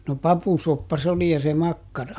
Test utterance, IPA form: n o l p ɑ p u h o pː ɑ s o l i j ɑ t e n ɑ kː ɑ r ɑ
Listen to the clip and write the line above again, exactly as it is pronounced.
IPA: n o p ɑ p u s o pː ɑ s o l i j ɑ s e m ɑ kː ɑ r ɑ